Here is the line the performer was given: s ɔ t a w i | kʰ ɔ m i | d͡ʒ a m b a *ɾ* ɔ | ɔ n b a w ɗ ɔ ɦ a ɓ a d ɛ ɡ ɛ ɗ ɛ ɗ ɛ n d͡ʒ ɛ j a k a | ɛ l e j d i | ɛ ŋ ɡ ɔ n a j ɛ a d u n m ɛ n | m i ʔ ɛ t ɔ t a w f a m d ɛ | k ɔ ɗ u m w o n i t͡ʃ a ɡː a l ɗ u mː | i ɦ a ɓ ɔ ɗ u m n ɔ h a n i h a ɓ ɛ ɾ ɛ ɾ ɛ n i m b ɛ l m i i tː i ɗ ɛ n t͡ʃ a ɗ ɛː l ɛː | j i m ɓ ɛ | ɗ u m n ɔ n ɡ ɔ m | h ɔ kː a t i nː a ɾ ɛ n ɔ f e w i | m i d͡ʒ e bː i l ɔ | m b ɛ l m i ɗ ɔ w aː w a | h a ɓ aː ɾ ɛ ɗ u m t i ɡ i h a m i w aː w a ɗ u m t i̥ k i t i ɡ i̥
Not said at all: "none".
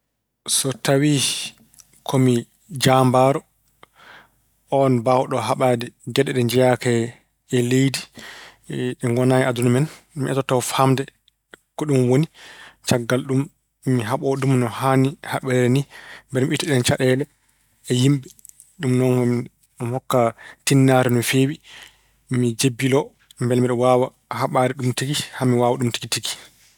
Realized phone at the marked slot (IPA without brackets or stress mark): ɾ